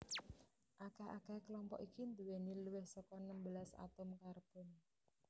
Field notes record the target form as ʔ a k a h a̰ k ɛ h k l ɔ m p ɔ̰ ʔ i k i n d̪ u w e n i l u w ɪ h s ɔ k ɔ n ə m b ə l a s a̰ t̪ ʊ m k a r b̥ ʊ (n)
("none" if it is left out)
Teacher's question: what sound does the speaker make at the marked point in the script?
n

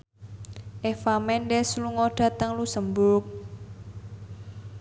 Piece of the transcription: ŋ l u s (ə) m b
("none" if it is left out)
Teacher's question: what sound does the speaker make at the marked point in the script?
ə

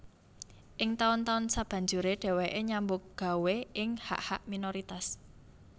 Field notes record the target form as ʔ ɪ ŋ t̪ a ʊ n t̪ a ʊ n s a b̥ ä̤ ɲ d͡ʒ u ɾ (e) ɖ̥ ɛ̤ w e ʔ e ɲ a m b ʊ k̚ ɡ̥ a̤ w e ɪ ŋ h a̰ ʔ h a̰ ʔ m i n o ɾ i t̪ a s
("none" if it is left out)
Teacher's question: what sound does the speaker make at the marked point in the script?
e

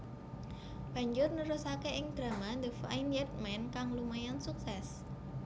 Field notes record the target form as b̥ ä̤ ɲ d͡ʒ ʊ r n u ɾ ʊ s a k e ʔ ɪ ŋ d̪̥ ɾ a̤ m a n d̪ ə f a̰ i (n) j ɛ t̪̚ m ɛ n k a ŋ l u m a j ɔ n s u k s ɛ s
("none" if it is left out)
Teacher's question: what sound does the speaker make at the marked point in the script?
n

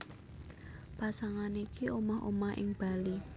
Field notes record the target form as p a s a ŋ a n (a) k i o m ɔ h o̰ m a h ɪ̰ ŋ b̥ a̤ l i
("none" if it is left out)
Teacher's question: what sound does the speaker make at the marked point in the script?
i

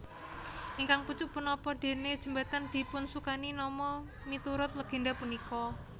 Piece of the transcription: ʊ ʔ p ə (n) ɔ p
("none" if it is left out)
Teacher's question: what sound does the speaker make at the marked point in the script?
n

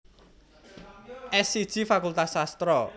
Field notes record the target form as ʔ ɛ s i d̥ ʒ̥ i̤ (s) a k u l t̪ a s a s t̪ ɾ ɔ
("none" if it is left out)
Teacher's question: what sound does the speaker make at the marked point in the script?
f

